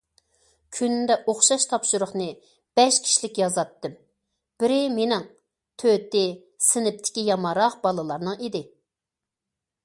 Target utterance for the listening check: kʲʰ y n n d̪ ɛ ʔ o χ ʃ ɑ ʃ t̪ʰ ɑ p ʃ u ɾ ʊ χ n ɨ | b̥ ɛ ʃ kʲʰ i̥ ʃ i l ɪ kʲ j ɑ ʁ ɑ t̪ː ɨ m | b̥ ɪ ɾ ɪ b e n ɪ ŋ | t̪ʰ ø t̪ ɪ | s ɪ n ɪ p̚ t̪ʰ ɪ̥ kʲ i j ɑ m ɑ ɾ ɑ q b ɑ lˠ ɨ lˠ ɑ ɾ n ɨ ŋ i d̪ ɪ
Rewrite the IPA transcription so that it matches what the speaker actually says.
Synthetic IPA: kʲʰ y n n d̪ ɛ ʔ o χ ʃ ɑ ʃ t̪ʰ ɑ p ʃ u ɾ ʊ χ n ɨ | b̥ ɛ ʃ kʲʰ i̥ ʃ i l ɪ kʲ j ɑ z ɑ t̪ː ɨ m | b̥ ɪ ɾ ɪ m e n ɪ ŋ | t̪ʰ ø t̪ ɪ | s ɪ n ɪ p̚ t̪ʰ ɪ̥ kʲ i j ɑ m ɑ ɾ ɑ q b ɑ lˠ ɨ lˠ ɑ ɾ n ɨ ŋ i d̪ ɪ